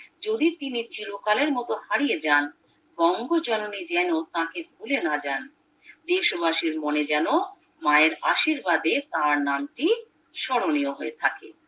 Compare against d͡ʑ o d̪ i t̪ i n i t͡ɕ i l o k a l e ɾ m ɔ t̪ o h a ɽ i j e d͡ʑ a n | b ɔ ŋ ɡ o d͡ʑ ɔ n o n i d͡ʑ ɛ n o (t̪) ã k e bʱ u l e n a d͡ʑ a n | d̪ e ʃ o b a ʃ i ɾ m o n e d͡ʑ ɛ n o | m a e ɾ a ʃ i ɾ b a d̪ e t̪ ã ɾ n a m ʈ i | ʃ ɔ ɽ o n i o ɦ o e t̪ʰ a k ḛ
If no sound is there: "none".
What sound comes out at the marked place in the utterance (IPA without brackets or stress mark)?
t̪